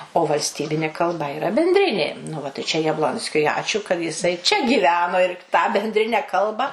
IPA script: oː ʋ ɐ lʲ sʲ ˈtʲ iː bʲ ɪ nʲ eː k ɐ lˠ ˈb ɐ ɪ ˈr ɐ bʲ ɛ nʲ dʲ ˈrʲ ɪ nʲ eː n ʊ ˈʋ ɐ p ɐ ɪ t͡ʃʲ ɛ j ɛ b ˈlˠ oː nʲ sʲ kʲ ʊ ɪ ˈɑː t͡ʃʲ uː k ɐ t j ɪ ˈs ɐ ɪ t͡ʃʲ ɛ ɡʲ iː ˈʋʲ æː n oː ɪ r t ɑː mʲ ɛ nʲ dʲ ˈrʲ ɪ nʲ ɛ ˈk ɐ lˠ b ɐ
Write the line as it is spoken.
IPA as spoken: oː ʋ ɐ lʲ sʲ ˈtʲ iː bʲ ɪ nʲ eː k ɐ lˠ ˈb ɐ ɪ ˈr ɐ bʲ ɛ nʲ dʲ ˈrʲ ɪ nʲ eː n ʊ ˈʋ ɐ t ɐ ɪ t͡ʃʲ ɛ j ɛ b ˈlˠ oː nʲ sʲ kʲ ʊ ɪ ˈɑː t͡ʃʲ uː k ɐ t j ɪ ˈs ɐ ɪ t͡ʃʲ ɛ ɡʲ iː ˈʋʲ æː n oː ɪ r t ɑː bʲ ɛ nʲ dʲ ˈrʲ ɪ nʲ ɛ ˈk ɐ lˠ b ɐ